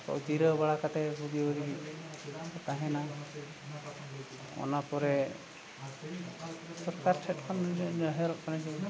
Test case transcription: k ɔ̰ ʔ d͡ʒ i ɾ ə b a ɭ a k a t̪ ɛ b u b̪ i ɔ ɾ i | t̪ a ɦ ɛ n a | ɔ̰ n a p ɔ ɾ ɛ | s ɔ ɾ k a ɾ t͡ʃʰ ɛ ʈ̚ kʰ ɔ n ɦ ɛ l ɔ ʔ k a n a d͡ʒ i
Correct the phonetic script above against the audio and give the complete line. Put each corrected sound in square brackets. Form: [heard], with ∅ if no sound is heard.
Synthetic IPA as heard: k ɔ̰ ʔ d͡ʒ i ɾ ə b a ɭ a k a t̪ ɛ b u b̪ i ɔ ɾ i | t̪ a ɦ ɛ n a | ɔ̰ n a p ɔ ɾ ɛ | s ɔ ɾ k a ɾ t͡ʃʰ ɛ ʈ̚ kʰ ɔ n ɦ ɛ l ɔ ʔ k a n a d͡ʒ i

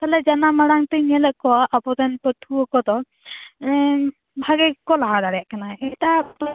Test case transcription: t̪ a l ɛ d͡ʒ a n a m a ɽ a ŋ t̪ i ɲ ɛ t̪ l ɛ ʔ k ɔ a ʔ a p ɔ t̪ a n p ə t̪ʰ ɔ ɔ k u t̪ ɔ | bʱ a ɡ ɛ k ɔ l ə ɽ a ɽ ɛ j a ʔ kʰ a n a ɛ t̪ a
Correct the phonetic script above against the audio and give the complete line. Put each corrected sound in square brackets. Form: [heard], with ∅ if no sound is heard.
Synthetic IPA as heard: t̪ a l ɛ d͡ʒ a n a m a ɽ a ŋ t̪ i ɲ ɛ [∅] l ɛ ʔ k ɔ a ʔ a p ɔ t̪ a n p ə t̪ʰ [u] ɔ k [ɔ] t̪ ɔ | bʱ a ɡ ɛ k ɔ l [a] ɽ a ɽ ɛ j a ʔ [k] a n a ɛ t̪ a

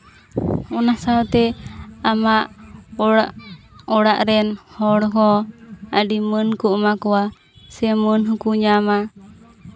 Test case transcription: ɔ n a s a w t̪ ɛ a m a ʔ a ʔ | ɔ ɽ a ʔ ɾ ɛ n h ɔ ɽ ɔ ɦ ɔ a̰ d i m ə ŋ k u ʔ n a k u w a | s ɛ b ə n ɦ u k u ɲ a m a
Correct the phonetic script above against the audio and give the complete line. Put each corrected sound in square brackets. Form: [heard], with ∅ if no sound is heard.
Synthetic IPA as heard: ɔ n a s a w t̪ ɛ a m a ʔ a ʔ | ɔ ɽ a ʔ ɾ ɛ n h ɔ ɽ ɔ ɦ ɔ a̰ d i m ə [n] k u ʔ [m] a k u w a | s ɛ [m] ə n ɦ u k u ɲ a m a

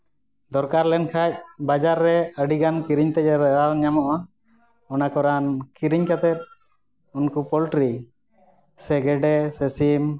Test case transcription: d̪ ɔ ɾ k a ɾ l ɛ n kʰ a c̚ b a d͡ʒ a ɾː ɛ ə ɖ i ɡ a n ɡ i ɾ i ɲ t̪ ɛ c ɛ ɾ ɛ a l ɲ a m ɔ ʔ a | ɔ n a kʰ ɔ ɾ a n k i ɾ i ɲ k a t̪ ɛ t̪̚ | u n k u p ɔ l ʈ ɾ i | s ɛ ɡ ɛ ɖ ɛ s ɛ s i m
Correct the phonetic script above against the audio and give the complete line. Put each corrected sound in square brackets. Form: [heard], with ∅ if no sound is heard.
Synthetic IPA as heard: d̪ ɔ ɾ k a ɾ l ɛ n kʰ a c̚ b a d͡ʒ a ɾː ɛ ə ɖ i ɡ a n [k] i ɾ i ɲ t̪ ɛ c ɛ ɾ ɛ a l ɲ a m ɔ ʔ a | ɔ n a [k] ɔ ɾ a n k i ɾ i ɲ k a t̪ ɛ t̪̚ | u n k u p ɔ l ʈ ɾ i | s ɛ ɡ ɛ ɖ ɛ s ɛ s i m

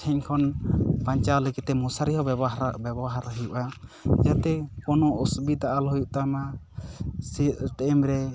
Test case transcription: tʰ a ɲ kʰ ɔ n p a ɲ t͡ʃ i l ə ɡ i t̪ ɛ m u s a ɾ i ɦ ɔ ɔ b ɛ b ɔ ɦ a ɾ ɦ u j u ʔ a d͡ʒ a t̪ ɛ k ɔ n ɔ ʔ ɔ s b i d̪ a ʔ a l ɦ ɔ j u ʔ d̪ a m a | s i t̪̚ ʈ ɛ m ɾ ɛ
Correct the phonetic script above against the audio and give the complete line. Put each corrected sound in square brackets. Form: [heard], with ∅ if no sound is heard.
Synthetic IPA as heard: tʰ [ɛ] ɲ kʰ ɔ n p a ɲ t͡ʃ [a] l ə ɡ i t̪ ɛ m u s a ɾ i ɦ ɔ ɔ b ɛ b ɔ ɦ a ɾ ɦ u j u ʔ a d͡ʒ a t̪ ɛ k ɔ n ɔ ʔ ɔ s b i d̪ a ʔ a l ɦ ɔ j u ʔ [t̪] a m a | s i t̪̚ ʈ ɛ m ɾ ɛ

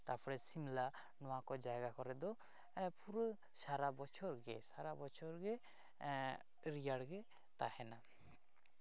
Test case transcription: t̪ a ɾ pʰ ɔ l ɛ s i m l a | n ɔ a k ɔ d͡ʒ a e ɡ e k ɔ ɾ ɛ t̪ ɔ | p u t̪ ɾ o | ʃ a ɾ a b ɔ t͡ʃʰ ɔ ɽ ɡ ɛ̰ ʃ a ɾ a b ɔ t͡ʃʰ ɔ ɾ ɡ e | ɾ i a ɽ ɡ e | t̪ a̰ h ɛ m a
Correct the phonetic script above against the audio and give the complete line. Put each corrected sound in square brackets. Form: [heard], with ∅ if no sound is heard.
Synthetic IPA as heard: t̪ a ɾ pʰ ɔ [ɾ] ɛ s i m l a | n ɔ a k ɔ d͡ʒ a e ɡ [a] k ɔ ɾ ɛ [d̪] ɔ | p u [∅] ɾ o | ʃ a ɾ a b ɔ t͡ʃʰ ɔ [ɾ] ɡ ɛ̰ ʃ a ɾ a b ɔ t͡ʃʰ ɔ ɾ ɡ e | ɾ i a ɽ ɡ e | t̪ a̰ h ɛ [n] a

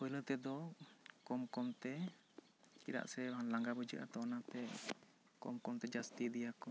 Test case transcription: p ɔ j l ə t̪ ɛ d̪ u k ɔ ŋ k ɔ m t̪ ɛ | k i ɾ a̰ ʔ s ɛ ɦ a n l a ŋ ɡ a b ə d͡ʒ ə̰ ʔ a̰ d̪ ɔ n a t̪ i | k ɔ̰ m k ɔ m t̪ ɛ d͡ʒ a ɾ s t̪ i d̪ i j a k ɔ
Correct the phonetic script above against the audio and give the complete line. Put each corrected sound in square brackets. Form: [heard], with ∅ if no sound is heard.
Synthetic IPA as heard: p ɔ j l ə t̪ ɛ d̪ [ɔ] k ɔ [m] k ɔ m t̪ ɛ | k i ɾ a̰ ʔ s ɛ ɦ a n l a ŋ ɡ a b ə d͡ʒ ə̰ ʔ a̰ [t̪] ɔ n a t̪ [ɛ] | k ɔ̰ m k ɔ m t̪ ɛ d͡ʒ a [∅] s t̪ i d̪ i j a k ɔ

